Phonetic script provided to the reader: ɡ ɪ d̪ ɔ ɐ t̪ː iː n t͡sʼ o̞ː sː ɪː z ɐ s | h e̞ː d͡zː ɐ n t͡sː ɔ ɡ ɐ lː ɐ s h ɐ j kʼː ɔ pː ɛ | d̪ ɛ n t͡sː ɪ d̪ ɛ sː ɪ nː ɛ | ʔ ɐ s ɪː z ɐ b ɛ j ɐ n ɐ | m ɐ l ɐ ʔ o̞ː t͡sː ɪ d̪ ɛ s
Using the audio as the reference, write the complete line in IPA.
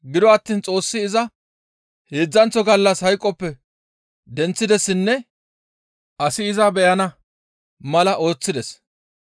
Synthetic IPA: ɡ ɪ d̪ ɔ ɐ t̪ː iː n t͡sʼ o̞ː sː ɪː z ɐ | h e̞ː d͡zː ɐ n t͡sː ɔ ɡ ɐ lː ɐ s h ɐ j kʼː ɔ pː ɛ | d̪ ɛ n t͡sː ɪ d̪ ɛ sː ɪ nː ɛ | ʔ ɐ s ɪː z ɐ b ɛ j ɐ n ɐ | m ɐ l ɐ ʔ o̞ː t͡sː ɪ d̪ ɛ s